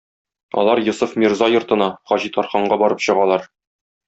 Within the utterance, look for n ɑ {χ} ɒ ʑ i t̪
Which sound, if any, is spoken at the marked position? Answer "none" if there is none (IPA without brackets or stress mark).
χ